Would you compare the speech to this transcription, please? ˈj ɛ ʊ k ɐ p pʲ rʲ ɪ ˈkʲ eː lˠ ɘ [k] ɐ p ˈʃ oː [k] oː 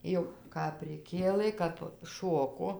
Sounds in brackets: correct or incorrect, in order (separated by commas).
correct, correct